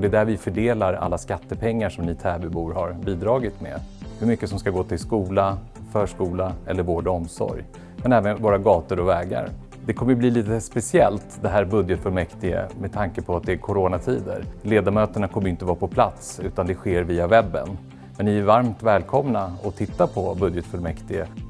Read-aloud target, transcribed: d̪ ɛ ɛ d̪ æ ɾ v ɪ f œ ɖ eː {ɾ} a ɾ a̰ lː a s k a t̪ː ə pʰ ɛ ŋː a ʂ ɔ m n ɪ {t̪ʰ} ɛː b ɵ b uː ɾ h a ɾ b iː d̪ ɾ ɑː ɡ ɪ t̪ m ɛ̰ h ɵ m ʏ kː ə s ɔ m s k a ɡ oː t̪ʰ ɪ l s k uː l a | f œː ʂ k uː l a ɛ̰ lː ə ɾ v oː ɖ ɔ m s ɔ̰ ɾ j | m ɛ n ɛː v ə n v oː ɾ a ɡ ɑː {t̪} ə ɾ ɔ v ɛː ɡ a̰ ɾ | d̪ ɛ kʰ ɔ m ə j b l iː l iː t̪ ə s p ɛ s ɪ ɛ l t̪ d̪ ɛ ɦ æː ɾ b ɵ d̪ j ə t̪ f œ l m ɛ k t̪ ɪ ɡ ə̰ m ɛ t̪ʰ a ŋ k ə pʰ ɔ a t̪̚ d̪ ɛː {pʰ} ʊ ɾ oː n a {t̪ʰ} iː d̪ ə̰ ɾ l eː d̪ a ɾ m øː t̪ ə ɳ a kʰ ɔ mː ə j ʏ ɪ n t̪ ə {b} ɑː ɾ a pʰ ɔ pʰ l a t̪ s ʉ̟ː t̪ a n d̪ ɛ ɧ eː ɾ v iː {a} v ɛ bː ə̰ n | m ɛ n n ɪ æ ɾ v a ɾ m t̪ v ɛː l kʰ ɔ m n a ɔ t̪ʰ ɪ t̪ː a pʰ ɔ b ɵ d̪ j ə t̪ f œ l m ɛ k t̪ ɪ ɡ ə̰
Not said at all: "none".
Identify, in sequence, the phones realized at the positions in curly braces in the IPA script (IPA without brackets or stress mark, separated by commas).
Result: l, t̪ʰ, t̪, kʰ, t̪ʰ, v, a